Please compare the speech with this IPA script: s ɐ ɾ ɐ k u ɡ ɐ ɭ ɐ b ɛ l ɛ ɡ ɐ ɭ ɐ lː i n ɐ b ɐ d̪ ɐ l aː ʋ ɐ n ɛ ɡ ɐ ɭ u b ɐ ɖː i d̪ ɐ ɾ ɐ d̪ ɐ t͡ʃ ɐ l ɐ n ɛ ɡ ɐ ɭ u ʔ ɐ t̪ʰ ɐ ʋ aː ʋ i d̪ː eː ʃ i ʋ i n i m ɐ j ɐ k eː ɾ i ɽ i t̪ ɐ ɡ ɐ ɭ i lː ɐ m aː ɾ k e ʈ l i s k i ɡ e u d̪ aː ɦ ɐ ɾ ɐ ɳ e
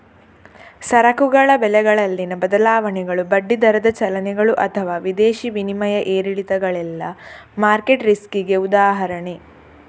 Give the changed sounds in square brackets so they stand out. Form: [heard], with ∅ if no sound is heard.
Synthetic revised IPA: s ɐ ɾ ɐ k u ɡ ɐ ɭ ɐ b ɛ l ɛ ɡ ɐ ɭ ɐ lː i n ɐ b ɐ d̪ ɐ l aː ʋ ɐ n ɛ ɡ ɐ ɭ u b ɐ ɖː i d̪ ɐ ɾ ɐ d̪ ɐ t͡ʃ ɐ l ɐ n ɛ ɡ ɐ ɭ u ʔ ɐ t̪ʰ ɐ ʋ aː ʋ i [d̪] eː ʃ i ʋ i n i m ɐ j ɐ [ʔ] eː ɾ i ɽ i t̪ ɐ ɡ ɐ ɭ [ɛ] lː ɐ m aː ɾ k e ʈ [ɾ] i s k i ɡ e u d̪ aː ɦ ɐ ɾ ɐ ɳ e